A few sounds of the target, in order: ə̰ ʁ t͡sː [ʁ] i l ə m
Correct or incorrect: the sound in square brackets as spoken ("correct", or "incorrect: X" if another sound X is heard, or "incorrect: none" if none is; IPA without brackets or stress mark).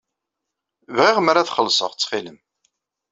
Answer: incorrect: χ